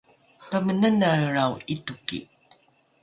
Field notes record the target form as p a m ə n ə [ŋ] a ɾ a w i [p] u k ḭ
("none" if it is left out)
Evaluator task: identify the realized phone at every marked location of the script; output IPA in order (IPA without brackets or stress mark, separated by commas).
n, t